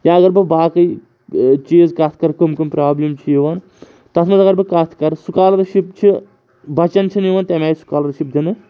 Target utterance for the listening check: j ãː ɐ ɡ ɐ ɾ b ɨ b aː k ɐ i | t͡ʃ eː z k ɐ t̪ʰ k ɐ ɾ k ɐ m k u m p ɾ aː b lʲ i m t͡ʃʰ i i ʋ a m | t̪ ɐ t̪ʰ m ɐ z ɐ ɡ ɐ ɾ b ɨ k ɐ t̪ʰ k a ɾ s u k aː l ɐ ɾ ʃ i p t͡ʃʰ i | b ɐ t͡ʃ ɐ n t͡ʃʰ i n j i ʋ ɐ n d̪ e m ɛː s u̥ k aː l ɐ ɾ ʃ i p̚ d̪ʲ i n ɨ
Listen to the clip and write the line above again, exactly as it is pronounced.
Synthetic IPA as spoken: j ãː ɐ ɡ ɐ ɾ b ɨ b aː k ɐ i | t͡ʃ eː z k ɐ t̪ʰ k ɐ ɾ k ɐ m k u m p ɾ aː b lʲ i m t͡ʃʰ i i ʋ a n | t̪ ɐ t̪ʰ m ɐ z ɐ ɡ ɐ ɾ b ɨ k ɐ t̪ʰ k ɐ ɾ s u k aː l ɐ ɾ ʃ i p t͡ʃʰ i | b ɐ t͡ʃ ɐ n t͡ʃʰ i n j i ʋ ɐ n t̪ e m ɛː s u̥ k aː l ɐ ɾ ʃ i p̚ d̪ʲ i n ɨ